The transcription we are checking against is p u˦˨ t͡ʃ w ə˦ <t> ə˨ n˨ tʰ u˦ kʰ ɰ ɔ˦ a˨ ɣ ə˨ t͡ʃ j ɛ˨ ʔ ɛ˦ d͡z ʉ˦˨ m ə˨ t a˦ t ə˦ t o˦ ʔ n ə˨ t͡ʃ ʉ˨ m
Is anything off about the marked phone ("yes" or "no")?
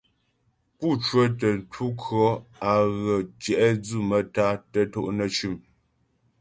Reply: no